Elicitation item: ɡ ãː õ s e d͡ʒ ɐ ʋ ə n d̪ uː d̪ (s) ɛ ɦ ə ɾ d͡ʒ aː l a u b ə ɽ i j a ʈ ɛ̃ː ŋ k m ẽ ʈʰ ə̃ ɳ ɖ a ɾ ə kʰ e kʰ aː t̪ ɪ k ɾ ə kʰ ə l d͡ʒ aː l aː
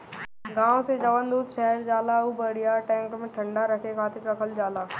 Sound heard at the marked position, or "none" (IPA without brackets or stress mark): ʃ